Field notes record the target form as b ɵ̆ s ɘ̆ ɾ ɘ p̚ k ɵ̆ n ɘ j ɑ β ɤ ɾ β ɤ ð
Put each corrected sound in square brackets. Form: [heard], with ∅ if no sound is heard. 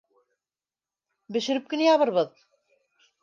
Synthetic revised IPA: b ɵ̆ [ʃ] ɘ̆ ɾ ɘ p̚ k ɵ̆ n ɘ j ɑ β ɤ ɾ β ɤ ð